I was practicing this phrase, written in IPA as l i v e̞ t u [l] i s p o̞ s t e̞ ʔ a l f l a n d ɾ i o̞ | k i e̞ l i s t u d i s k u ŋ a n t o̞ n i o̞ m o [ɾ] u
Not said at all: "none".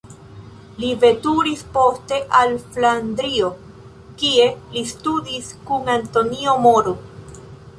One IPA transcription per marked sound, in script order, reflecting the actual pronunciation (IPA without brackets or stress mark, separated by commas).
ɾ, ɾ